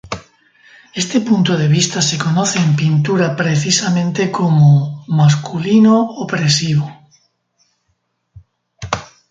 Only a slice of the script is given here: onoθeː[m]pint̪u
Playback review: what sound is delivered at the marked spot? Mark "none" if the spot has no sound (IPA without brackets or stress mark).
m